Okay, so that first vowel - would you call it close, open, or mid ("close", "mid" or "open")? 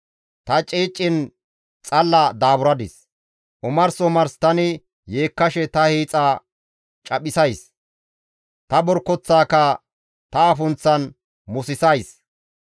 open